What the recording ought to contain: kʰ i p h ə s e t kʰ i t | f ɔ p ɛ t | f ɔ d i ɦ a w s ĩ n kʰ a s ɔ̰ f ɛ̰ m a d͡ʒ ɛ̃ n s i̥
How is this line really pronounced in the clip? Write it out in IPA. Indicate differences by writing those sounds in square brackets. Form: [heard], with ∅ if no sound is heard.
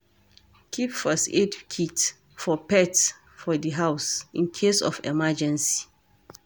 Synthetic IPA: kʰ i p [f] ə s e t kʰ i t | f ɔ p ɛ t | f ɔ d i ɦ a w s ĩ n kʰ [e] s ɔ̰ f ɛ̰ m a d͡ʒ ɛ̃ n s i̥